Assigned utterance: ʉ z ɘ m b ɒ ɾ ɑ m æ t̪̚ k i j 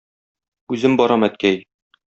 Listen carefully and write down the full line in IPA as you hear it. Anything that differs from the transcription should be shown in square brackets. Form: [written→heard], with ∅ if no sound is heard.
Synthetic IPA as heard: ʉ z ɘ m b ɒ ɾ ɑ m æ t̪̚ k [i→æ] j